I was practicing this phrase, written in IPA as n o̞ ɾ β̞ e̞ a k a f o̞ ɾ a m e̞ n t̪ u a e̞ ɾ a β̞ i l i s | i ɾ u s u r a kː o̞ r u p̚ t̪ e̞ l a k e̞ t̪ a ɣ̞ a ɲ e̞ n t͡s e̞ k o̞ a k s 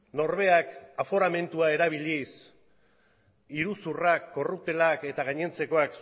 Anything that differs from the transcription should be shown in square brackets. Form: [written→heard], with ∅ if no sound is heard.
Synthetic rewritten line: n o̞ ɾ β̞ e̞ a k a f o̞ ɾ a m e̞ n t̪ u a e̞ ɾ a β̞ i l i s | i ɾ u s u r a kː o̞ r u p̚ t̪ e̞ l a k e̞ t̪ a ɣ̞ a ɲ e̞ n t͡s e̞ k o̞ a k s